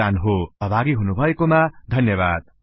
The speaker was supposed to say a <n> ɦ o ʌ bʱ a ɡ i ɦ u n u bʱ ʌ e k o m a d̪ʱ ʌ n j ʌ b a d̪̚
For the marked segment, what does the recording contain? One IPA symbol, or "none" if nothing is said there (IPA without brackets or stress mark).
n